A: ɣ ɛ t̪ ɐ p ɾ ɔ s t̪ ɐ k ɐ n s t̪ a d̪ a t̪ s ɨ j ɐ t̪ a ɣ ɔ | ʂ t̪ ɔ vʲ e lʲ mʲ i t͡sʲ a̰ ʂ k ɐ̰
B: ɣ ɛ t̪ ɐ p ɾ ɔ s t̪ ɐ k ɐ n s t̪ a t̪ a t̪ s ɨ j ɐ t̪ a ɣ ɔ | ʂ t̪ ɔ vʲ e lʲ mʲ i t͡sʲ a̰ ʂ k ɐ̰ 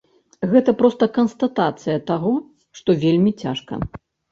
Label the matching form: B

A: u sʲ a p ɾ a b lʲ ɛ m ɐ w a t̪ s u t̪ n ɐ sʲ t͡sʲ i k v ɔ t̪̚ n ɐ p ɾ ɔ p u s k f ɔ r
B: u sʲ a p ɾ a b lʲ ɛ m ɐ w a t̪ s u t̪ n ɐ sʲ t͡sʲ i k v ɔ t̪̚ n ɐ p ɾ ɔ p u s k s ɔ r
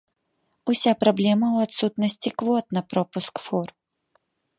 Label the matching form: A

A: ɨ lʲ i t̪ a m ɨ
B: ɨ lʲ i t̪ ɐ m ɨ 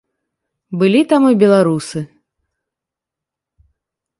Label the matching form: A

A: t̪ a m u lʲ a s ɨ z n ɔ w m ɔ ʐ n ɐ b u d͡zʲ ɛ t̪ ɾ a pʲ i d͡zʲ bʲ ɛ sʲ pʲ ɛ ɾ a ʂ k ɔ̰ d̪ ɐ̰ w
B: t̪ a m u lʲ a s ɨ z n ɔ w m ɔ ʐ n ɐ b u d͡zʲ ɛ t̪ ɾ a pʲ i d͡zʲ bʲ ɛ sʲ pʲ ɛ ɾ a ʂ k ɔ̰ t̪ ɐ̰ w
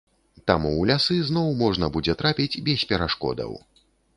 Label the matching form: A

